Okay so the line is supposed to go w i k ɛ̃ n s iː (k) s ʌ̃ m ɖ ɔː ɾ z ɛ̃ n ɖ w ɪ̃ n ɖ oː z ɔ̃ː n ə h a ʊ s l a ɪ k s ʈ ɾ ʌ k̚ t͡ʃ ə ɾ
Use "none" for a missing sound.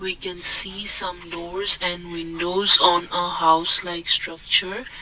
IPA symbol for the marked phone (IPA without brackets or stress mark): none